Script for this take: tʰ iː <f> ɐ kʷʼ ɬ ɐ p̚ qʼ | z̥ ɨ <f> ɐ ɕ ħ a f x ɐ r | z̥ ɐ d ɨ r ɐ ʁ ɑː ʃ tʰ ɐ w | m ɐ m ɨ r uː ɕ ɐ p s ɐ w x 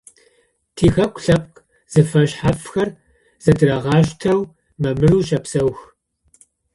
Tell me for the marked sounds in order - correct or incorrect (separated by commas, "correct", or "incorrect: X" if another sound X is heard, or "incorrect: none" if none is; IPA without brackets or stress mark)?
incorrect: x, correct